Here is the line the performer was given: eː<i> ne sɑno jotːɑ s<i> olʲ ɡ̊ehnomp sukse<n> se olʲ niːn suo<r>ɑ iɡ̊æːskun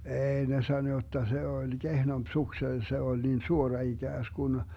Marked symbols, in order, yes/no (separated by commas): yes, no, no, yes